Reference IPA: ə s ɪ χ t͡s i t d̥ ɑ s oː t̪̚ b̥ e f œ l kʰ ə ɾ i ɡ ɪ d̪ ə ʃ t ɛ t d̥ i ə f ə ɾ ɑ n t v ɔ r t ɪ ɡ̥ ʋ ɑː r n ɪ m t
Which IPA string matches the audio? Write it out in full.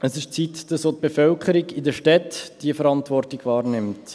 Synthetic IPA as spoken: ə s ɪ ʃ t͡s i t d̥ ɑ s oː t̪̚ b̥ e f œ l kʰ ə ɾ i ɡ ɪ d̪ ə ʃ t ɛ t d̥ i ə f ə ɾ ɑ n t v ɔ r t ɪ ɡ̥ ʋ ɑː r n ɪ m t